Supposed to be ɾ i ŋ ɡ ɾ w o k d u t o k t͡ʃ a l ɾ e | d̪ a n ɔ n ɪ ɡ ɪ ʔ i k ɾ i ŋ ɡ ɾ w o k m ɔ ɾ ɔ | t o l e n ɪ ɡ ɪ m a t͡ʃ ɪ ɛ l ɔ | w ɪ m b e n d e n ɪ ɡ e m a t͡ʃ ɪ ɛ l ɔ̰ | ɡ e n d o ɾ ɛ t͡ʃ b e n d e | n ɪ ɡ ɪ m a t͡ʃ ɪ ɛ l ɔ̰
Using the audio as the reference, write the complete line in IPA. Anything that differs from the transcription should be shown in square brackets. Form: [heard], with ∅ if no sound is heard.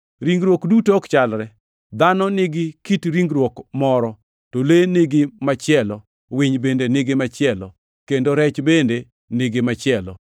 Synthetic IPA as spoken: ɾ i ŋ ɡ ɾ w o k d u t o k t͡ʃ a l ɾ [ɛ] | d̪ a n ɔ n ɪ ɡ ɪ [k] i [t] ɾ i ŋ ɡ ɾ w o k m ɔ ɾ ɔ | t o l e n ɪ ɡ ɪ m a t͡ʃ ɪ ɛ l ɔ | w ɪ [ɲ] b e n d e n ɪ ɡ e m a t͡ʃ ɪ ɛ l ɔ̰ | [k] e n d o ɾ ɛ t͡ʃ b e n d e | n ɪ ɡ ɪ m a t͡ʃ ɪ ɛ l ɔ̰